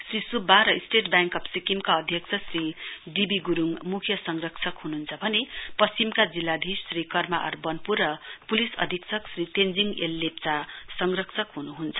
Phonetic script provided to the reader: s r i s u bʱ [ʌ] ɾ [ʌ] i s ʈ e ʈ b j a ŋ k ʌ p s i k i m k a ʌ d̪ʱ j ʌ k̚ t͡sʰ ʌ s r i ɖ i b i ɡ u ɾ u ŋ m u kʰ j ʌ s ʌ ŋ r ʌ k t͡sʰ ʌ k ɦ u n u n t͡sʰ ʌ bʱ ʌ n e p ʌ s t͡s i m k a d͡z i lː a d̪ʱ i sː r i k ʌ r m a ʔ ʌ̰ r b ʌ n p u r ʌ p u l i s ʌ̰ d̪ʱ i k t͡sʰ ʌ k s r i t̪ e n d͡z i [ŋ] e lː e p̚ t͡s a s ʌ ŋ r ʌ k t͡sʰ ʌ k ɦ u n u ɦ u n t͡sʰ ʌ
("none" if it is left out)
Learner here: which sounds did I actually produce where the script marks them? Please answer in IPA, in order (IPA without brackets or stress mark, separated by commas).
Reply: a, ʌ, ŋ